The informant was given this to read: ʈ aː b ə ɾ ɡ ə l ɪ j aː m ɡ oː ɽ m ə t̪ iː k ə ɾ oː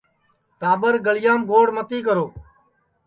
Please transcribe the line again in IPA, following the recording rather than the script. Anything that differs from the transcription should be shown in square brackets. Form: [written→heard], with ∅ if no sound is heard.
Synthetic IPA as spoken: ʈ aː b ə ɾ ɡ ə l ɪ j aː m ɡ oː ɽ m ə t̪ iː k ə ɾ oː